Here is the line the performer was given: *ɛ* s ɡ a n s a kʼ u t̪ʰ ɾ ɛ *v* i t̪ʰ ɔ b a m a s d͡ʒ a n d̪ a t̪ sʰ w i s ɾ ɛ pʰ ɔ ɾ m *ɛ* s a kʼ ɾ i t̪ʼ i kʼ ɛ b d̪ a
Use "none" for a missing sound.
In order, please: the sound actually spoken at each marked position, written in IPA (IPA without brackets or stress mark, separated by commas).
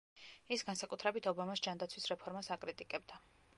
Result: i, b, a